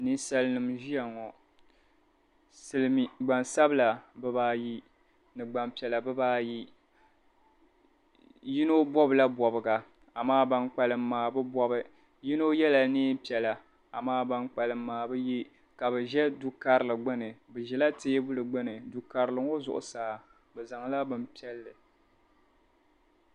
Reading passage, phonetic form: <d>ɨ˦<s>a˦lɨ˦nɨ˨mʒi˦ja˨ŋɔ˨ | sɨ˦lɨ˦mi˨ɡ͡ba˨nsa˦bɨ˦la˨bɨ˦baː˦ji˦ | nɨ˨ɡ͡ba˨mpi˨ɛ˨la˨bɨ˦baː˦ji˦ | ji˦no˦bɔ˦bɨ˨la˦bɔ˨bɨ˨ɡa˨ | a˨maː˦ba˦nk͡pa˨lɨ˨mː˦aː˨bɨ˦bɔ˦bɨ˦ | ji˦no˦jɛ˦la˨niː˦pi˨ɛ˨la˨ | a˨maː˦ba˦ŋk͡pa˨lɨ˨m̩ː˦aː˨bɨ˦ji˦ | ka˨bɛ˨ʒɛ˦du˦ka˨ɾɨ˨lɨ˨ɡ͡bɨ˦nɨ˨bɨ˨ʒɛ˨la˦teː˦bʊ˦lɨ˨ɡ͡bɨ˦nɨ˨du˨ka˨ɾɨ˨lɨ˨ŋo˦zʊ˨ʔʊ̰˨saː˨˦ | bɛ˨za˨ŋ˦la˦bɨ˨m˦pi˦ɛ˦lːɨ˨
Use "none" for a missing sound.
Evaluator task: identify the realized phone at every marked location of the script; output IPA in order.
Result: n, s

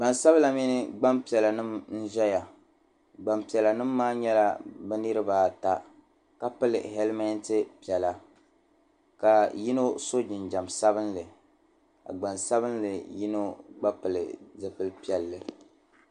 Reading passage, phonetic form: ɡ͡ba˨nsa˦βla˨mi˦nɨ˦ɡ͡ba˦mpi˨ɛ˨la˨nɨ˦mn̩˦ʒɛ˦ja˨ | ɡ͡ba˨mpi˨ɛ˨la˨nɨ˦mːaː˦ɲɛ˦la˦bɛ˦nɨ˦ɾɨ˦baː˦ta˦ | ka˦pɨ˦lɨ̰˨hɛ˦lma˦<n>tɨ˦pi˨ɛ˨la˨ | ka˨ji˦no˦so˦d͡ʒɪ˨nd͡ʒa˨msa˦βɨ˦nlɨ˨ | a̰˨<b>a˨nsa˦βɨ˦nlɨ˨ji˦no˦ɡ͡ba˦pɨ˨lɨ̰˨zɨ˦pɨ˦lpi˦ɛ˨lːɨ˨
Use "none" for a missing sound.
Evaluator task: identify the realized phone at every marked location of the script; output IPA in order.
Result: n, ɡ͡b

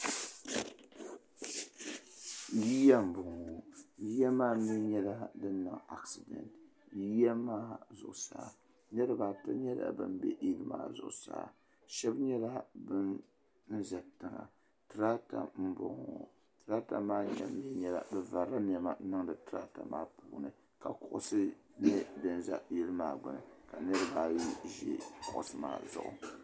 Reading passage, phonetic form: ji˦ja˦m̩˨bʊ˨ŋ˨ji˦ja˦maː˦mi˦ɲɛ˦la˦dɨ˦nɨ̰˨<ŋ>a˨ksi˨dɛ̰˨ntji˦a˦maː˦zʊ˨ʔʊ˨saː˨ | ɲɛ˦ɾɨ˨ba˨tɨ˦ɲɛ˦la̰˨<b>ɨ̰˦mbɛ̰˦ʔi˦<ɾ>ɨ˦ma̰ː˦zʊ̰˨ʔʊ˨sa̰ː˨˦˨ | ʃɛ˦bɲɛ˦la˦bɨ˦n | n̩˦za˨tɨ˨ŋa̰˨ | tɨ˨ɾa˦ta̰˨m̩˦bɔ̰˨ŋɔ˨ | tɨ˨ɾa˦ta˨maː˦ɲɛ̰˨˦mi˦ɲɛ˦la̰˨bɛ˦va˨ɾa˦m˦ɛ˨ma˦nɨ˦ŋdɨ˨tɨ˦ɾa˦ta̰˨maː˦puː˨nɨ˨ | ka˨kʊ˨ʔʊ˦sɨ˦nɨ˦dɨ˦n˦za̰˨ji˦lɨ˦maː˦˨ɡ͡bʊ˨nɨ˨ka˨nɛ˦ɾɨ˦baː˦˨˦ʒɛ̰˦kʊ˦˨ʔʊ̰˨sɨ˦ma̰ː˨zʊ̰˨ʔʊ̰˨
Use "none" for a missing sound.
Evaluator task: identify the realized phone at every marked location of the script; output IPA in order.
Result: ŋ, b, l

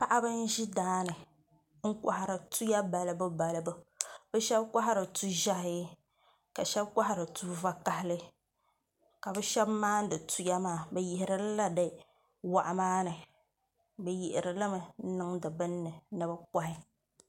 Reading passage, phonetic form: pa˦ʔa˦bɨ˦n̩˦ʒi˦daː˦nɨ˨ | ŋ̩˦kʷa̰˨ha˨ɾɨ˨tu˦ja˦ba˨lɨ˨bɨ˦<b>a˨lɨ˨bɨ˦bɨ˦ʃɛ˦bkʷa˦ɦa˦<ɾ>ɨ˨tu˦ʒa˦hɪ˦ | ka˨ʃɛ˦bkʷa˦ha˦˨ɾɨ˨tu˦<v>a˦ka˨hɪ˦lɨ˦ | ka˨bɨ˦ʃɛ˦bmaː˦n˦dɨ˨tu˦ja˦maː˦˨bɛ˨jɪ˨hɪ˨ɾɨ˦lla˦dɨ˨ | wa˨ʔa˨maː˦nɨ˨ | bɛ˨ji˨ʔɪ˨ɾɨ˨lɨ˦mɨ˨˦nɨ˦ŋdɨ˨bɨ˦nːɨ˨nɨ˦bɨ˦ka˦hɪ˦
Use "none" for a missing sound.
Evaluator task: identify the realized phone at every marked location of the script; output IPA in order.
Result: b, ɾ, v

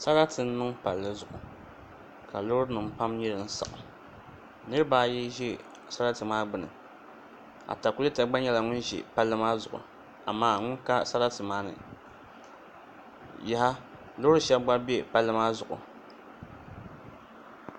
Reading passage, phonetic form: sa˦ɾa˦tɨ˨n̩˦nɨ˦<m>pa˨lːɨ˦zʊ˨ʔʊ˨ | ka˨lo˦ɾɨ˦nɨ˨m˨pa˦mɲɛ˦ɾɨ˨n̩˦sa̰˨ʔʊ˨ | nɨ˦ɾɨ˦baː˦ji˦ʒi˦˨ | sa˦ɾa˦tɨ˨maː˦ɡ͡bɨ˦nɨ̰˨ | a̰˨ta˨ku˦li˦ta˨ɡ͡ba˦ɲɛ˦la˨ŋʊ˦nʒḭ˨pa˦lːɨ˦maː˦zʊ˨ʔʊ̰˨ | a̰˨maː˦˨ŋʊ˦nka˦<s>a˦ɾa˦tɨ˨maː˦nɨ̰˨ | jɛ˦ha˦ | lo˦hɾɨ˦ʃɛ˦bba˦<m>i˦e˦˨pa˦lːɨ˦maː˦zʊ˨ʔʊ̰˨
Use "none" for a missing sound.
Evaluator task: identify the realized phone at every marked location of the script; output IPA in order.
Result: ŋ, s, b

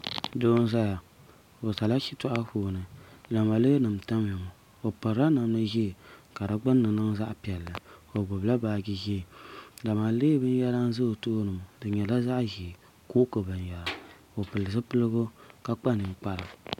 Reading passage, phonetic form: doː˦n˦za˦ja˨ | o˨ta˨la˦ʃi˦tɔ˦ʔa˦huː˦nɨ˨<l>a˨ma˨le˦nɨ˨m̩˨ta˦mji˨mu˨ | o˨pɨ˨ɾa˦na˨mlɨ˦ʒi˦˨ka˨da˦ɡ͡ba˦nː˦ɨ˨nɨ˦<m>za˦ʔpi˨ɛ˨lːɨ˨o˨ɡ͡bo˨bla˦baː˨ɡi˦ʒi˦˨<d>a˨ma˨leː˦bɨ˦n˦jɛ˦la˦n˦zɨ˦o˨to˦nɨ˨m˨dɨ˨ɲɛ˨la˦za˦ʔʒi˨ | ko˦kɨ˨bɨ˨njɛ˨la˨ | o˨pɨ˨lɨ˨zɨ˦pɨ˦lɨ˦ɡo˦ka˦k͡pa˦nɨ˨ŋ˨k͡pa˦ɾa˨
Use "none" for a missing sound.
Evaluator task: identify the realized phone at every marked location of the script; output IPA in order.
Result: l, ŋ, d

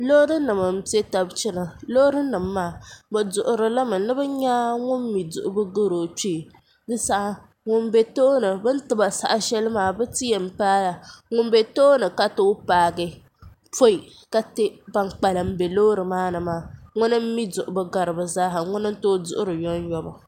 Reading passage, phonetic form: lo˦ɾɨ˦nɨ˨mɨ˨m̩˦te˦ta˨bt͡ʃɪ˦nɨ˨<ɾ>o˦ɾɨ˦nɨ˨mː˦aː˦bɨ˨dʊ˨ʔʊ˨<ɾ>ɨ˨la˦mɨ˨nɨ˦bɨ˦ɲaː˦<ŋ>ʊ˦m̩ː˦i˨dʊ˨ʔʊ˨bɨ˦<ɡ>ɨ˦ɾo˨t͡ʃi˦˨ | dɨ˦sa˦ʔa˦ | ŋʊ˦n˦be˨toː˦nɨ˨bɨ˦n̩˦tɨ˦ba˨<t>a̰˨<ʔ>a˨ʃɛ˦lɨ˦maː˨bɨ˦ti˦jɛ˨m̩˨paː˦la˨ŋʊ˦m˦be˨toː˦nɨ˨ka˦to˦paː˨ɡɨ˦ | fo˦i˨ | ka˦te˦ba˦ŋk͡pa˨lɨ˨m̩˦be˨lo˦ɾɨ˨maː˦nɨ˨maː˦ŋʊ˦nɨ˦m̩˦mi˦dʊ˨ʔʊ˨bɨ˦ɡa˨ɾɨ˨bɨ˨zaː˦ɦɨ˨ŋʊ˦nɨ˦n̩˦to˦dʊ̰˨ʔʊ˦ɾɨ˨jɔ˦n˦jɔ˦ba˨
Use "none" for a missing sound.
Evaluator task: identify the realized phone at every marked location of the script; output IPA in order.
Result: l, ɾ, ŋ, ɡ, s, ʔ

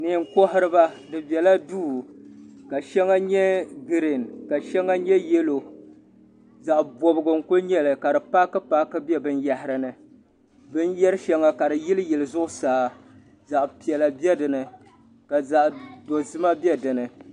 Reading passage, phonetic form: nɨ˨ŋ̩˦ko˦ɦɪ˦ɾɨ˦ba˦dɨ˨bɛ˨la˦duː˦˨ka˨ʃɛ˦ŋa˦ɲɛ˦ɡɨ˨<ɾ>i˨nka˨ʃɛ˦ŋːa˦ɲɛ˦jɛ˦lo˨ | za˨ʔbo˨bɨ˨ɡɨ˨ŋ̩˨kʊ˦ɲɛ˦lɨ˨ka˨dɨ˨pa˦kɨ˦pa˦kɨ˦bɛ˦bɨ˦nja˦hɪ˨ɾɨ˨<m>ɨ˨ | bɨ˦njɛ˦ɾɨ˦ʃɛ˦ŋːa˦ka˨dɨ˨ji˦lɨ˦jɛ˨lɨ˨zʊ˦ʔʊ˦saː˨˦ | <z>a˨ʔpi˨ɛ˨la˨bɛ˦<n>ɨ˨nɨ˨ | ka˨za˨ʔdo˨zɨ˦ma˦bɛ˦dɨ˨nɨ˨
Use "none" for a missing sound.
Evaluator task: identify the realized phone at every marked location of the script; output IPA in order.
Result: ɾ, n, z, d

